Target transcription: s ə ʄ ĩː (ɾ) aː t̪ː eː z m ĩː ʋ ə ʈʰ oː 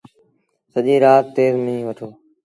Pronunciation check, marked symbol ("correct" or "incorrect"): correct